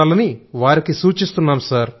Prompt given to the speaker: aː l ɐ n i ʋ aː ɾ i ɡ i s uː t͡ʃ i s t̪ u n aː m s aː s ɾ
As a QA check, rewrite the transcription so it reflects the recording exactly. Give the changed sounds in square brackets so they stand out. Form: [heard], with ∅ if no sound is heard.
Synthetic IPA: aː l ɐ n i ʋ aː ɾ i [k] i s uː t͡ʃ i s t̪ u [nː] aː m s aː [∅] ɾ